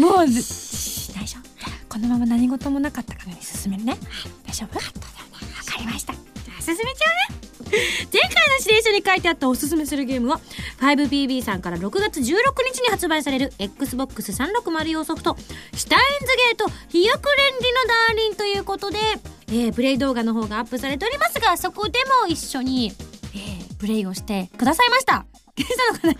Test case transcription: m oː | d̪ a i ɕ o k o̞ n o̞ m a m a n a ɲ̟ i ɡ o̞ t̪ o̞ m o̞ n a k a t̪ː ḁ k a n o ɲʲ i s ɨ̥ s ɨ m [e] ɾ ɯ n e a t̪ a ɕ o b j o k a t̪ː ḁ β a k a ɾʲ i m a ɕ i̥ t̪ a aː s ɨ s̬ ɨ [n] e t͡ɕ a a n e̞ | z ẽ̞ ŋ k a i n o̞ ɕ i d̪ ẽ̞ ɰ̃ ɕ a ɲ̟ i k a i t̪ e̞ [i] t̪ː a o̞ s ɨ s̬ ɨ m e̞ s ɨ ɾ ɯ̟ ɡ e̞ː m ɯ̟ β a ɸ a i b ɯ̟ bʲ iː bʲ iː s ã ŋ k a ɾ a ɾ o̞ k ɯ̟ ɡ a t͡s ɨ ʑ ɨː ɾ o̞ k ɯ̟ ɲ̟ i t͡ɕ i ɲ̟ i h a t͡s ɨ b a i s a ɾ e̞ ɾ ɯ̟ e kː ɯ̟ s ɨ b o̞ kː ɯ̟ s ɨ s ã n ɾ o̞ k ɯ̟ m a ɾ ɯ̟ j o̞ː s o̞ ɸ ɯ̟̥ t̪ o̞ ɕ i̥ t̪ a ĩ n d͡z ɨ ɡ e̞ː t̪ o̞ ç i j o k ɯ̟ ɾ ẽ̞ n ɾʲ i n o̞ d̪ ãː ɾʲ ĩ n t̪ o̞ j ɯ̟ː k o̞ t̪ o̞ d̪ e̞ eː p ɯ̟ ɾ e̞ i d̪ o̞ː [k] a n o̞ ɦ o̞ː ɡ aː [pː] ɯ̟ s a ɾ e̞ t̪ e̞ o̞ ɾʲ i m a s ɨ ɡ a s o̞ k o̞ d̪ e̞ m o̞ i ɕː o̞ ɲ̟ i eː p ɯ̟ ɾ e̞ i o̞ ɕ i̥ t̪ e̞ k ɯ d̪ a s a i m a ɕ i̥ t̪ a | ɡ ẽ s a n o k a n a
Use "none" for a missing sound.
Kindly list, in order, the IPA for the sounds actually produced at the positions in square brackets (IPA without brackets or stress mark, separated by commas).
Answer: e, m, a, ɡ, pː